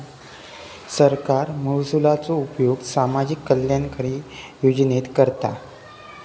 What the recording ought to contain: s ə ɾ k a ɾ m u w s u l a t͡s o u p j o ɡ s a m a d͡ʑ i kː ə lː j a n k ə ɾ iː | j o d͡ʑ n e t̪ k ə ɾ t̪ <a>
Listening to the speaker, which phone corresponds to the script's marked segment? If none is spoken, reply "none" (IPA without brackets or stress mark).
a